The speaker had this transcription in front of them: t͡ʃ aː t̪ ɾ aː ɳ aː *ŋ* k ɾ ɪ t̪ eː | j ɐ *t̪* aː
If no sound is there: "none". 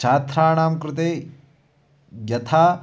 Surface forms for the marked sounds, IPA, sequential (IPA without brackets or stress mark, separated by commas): m, t̪ʰ